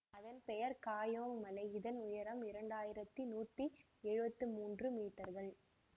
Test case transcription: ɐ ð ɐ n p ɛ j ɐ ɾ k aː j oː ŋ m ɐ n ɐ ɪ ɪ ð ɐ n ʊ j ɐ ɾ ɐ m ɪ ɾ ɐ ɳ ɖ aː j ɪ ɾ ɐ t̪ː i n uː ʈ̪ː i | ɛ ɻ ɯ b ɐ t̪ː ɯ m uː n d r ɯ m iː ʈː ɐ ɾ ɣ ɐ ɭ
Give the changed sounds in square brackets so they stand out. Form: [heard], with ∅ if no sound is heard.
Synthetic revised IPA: ɐ ð ɐ n p ɛ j ɐ ɾ k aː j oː ŋ m ɐ n ɐ ɪ ɪ ð ɐ n ʊ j ɐ ɾ ɐ m ɪ ɾ ɐ ɳ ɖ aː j ɪ ɾ ɐ t̪ː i n uː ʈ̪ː i | ɛ ɻ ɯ b ɐ t̪ː ɯ m uː n d r ɯ m iː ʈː ɐ ɾ ɣ ɐ ɭ